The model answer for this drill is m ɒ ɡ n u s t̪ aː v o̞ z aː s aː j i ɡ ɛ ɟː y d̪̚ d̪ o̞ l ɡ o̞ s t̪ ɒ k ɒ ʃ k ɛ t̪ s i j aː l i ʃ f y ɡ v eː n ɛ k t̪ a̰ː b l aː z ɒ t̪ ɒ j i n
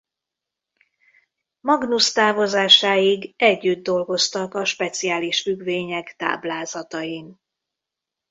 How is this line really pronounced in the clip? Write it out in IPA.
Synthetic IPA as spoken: m ɒ ɡ n u s t̪ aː v o̞ z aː ʃ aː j i ɡ ɛ ɟː y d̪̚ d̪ o̞ l ɡ o̞ s t̪ ɒ k ɒ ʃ p ɛ t̪ s i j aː l i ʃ f y ɡ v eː ɲ ɛ k t̪ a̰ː b l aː z ɒ t̪ ɒ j i n